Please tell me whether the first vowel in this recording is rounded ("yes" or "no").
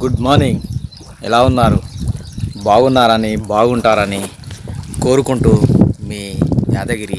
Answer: yes